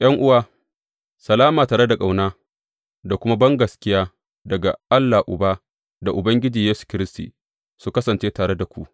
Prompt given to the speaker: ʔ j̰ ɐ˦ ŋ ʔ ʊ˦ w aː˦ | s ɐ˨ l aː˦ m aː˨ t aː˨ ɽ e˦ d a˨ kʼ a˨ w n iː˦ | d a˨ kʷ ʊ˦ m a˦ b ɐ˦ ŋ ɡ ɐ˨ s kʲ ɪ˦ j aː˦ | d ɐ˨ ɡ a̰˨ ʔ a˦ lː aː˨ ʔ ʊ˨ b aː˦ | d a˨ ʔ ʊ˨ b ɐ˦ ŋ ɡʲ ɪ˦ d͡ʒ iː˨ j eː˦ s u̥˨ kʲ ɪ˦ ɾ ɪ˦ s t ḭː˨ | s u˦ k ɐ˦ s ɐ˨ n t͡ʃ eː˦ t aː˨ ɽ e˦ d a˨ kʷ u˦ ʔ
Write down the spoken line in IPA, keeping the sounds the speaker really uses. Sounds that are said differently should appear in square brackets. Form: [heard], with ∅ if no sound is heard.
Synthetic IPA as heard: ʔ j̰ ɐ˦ ŋ ʔ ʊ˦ w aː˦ | s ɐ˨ l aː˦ m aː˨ t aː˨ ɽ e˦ d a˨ kʼ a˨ w n [aː˦] | d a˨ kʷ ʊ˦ m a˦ b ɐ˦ ŋ ɡ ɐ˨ s kʲ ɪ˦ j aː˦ | d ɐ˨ ɡ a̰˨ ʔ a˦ lː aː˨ ʔ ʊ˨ b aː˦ | d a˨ ʔ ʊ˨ b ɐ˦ ŋ ɡʲ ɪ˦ d͡ʒ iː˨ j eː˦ s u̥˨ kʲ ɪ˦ ɾ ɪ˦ s t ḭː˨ | s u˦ k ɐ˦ s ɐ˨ n t͡ʃ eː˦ t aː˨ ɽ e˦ d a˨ kʷ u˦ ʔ